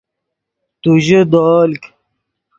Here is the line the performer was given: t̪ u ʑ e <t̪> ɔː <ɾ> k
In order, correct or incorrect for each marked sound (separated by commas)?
incorrect, incorrect